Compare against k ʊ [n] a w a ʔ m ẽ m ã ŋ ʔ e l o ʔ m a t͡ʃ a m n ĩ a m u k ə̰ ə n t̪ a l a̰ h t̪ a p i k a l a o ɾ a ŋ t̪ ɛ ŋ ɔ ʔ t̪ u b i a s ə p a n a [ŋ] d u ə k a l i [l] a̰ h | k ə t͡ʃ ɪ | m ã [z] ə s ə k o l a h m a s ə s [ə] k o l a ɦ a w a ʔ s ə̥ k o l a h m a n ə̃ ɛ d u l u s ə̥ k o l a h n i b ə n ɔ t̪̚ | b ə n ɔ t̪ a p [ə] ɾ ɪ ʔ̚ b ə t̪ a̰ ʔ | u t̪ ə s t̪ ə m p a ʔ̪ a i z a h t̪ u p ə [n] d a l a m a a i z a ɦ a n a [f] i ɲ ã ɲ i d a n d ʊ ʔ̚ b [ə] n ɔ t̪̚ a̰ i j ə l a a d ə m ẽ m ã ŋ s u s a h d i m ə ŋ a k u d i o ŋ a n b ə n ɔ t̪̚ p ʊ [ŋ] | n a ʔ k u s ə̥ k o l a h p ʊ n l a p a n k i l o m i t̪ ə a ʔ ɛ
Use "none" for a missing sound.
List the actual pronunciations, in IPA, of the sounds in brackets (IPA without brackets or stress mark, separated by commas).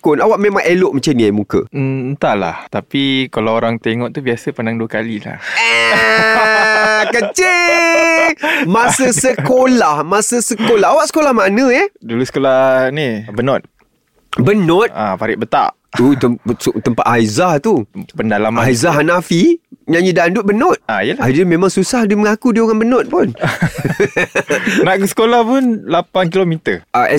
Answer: n, ŋ, l, s, ə, a, n, f, ə, n